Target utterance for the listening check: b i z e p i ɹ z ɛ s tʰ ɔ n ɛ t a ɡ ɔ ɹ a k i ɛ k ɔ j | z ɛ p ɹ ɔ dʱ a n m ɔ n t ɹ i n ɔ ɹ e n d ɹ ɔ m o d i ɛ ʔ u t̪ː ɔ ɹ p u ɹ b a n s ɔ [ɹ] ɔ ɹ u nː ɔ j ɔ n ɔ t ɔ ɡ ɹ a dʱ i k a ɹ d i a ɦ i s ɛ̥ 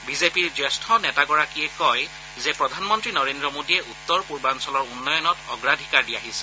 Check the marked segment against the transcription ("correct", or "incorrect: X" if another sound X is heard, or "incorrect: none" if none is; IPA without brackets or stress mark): incorrect: l